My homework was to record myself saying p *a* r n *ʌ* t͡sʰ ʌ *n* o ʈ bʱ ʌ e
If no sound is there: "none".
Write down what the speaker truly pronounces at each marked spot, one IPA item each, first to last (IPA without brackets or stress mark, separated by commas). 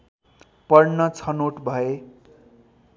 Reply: ʌ, ʌ, n